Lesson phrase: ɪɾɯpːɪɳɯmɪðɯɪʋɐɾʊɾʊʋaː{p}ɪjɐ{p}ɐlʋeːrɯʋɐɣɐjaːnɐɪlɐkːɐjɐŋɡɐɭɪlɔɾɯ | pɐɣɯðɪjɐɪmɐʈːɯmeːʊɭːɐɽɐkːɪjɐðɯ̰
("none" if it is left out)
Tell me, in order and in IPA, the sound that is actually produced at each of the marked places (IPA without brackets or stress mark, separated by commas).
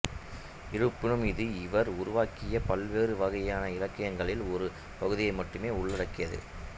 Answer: k, p